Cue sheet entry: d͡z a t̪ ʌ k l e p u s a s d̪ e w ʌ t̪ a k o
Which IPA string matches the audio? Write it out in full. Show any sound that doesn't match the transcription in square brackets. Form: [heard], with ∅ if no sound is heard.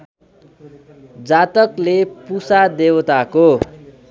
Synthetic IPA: d͡z a t̪ ʌ k l e p u s a [∅] d̪ e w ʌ t̪ a k o